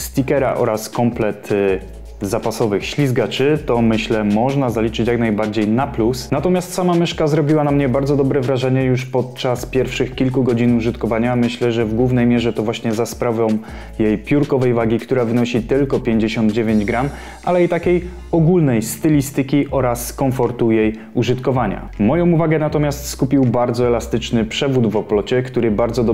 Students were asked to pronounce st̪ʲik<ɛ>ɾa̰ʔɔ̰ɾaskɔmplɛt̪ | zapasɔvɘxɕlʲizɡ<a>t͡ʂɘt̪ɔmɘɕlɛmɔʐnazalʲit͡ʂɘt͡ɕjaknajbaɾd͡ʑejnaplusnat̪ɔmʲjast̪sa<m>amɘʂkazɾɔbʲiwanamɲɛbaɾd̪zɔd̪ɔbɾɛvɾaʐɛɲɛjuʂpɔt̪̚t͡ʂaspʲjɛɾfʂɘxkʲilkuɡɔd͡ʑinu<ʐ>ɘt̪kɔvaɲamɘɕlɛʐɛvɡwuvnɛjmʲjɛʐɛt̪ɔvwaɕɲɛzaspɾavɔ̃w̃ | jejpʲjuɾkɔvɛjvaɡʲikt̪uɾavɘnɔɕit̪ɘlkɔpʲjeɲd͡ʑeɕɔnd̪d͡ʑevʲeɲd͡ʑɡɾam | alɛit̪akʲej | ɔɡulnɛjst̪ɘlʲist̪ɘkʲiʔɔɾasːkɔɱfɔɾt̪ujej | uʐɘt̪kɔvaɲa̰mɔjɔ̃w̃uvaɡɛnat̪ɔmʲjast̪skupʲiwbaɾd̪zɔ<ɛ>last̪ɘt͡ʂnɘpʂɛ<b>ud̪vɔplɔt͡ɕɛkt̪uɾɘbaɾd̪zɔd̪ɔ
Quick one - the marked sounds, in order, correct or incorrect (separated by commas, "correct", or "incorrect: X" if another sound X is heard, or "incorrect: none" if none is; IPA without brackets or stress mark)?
correct, correct, correct, correct, correct, incorrect: v